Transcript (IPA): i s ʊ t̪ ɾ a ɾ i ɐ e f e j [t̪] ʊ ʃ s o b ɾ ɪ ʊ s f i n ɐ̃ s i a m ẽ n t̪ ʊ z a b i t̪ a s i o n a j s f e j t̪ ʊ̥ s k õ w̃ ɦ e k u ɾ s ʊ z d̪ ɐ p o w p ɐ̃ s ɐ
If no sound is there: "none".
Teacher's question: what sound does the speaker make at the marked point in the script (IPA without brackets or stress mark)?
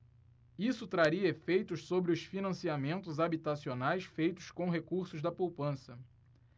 t̪